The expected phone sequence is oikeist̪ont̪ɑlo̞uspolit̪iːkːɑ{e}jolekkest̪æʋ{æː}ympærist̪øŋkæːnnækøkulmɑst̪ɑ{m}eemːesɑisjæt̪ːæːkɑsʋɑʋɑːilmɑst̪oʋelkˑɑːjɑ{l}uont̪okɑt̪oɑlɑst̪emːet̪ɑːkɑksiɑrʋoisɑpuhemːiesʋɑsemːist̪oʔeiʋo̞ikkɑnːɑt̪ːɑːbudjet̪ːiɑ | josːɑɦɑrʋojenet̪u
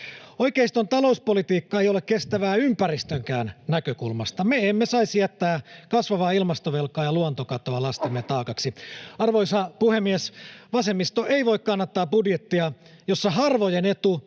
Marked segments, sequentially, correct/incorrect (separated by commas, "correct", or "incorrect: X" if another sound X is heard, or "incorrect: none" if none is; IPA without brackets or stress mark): correct, correct, correct, correct